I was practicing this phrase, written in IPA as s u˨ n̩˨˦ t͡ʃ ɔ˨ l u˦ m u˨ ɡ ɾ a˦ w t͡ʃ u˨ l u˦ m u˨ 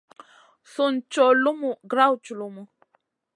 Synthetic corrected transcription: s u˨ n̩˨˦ t͡ʃ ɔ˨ l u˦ m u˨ ɡ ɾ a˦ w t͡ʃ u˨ l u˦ m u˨